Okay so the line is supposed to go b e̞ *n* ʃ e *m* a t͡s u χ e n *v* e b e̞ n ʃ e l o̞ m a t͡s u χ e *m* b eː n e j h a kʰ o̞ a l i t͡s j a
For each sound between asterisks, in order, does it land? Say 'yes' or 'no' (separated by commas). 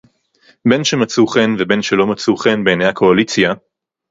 yes, yes, yes, no